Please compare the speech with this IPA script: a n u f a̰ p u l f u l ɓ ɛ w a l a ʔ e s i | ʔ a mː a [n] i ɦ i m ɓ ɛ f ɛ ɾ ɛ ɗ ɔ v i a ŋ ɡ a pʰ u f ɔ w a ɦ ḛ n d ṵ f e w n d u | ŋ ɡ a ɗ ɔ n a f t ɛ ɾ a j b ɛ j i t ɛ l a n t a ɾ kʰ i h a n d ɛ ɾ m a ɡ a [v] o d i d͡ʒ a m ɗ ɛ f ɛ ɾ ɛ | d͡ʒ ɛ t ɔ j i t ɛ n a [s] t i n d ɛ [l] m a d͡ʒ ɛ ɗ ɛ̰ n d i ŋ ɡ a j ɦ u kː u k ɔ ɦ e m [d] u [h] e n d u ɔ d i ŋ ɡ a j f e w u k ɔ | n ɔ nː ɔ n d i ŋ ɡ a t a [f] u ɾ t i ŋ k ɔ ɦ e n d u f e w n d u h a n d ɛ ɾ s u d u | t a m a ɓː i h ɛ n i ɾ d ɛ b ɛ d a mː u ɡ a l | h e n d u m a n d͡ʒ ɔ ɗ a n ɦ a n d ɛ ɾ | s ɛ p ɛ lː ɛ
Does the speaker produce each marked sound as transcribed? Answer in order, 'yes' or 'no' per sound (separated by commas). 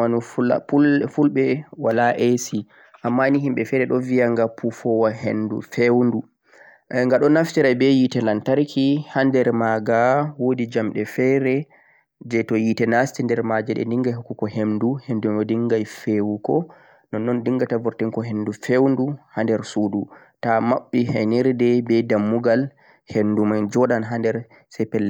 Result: yes, no, yes, no, yes, yes, no